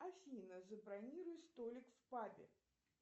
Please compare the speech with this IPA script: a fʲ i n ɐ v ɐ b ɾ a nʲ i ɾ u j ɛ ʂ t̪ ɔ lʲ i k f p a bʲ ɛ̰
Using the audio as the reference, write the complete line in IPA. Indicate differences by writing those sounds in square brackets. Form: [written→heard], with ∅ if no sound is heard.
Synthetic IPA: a fʲ i n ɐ [v→z] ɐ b ɾ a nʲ i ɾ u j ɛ [ʂ→s] t̪ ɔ lʲ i k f p a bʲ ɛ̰